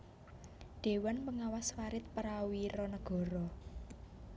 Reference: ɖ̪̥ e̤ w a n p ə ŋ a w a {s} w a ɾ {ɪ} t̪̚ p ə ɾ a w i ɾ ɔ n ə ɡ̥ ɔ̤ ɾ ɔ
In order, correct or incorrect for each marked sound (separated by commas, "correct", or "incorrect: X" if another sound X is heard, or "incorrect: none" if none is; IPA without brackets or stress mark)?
correct, correct